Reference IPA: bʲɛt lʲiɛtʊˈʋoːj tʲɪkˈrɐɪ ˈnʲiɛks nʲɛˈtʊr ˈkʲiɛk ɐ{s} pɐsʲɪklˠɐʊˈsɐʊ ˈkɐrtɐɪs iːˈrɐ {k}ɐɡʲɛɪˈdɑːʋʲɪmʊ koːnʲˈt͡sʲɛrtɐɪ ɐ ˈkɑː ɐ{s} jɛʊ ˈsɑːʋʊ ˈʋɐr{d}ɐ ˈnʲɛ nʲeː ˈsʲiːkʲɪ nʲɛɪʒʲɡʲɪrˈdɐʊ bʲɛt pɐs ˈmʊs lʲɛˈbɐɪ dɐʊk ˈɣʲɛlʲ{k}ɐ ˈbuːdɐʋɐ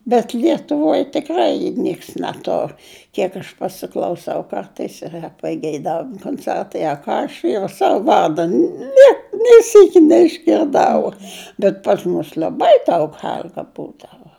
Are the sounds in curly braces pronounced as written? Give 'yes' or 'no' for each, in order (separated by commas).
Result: no, no, no, yes, no